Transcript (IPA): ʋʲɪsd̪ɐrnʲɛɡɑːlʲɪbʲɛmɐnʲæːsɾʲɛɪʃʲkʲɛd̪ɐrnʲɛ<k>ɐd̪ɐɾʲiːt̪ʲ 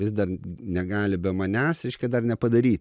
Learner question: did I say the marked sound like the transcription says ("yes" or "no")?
no